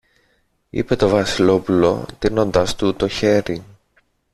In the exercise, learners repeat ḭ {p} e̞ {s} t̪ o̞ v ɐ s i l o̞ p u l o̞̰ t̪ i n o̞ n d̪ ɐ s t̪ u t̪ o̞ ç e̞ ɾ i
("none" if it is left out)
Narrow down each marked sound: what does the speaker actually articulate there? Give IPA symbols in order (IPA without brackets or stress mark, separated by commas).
p, none